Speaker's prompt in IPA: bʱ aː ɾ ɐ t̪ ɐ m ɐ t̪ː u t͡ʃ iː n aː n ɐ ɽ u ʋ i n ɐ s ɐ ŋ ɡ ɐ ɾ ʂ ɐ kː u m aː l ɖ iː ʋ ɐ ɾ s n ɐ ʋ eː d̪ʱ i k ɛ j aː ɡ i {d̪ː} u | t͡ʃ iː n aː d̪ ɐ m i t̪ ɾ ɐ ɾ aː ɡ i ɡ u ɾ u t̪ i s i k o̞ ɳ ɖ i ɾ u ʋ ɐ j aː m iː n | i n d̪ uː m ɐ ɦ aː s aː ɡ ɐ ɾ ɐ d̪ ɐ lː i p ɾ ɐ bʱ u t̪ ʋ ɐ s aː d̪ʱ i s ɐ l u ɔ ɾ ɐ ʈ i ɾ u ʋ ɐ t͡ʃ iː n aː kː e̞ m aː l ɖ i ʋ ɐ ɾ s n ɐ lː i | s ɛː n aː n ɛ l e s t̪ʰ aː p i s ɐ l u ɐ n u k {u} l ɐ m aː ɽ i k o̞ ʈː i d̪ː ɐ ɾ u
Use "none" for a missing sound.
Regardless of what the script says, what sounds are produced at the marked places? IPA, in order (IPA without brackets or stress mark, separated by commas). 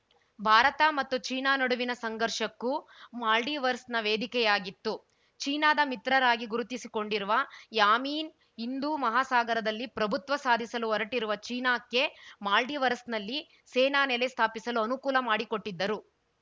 t̪ː, uː